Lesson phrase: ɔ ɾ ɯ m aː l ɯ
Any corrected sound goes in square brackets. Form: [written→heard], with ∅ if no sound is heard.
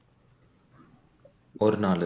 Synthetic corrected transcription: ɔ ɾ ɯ [m→n] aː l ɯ